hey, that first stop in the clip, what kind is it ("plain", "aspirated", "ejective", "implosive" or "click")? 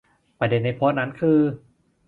plain